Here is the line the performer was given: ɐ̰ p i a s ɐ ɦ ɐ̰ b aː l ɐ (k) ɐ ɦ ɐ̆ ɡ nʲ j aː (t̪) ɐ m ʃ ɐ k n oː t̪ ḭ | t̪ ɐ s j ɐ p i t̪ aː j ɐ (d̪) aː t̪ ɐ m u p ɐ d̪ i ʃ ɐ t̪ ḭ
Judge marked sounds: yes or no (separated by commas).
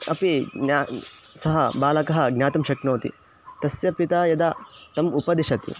yes, yes, yes